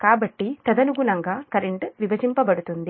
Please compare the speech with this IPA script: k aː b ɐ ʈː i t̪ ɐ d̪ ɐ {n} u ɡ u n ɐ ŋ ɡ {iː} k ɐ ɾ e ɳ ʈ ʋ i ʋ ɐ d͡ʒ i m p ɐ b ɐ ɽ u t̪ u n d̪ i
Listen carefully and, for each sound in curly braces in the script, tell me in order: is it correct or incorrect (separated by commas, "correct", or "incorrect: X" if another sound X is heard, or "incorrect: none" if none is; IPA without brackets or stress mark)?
correct, incorrect: aː